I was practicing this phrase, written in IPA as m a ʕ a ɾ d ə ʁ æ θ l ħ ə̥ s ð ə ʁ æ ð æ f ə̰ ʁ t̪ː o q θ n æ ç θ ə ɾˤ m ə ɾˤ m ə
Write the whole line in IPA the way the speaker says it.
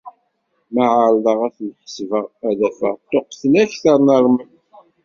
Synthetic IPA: m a ʕ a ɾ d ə ʁ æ θ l ħ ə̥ s v ə ʁ æ ð æ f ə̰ ʁ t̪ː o q θ n æ ç θ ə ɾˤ n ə ɾˤ m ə